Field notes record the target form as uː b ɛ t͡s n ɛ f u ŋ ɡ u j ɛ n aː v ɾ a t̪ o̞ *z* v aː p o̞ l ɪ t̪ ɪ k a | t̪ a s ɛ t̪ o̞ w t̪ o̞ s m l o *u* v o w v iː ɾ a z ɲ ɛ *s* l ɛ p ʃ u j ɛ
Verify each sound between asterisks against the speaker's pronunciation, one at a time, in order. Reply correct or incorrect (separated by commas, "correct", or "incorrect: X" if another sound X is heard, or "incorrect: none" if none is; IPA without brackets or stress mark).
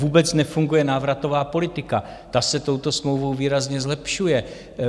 incorrect: none, incorrect: w, incorrect: z